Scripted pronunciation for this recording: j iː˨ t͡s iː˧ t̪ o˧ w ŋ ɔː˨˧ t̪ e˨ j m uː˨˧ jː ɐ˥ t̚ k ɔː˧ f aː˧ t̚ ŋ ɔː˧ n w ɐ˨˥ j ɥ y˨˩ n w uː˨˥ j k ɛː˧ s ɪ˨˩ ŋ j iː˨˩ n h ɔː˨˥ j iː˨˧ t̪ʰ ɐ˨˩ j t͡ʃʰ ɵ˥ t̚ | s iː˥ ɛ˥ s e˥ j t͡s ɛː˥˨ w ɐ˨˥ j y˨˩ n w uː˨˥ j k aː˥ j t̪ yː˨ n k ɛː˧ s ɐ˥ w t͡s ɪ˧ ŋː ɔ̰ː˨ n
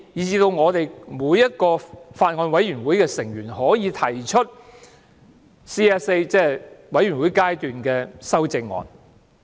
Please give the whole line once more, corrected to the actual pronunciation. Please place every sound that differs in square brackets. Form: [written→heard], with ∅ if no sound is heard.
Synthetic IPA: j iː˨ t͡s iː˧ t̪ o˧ w ŋ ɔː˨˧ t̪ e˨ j m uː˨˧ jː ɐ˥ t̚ k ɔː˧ f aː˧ t̚ ŋ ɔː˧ n w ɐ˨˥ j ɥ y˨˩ n w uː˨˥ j k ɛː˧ s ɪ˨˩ ŋ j [iː˨˩→yː˨˩] n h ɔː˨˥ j iː˨˧ t̪ʰ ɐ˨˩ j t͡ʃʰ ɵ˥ t̚ | s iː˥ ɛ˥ s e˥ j t͡s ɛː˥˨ w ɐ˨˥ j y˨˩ n w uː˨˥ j k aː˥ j t̪ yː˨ n k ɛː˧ s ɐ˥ w t͡s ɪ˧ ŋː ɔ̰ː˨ n